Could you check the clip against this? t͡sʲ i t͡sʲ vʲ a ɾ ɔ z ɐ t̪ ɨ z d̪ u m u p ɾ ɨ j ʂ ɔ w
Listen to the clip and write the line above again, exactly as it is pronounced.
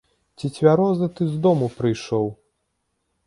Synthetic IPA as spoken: t͡sʲ i t͡sʲ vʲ a ɾ ɔ z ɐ t̪ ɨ z d̪ ɔ m u p ɾ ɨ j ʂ ɔ w